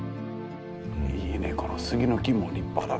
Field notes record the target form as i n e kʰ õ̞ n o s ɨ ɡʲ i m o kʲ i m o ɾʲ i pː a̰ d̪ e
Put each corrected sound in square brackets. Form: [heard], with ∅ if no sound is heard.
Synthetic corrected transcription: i n e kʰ [o̞] n o s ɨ ɡʲ i [n] o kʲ i m o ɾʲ i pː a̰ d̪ [a]